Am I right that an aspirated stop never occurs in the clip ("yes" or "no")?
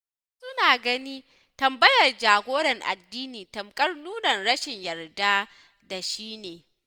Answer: yes